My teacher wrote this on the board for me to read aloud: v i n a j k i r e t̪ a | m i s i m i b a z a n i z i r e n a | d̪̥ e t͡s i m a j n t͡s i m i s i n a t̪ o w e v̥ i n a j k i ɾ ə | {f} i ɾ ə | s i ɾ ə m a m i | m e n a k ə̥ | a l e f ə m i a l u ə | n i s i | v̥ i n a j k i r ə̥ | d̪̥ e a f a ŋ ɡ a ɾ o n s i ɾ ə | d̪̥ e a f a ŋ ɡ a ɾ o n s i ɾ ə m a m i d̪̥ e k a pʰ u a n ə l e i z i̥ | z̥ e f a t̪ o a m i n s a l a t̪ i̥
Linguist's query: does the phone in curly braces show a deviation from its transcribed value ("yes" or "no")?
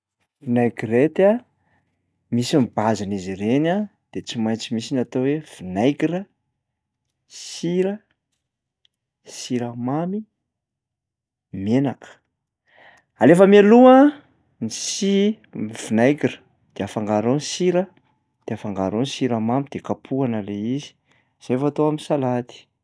yes